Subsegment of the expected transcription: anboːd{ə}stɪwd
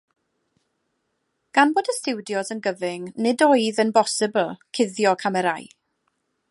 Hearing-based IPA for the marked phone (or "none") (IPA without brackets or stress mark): ə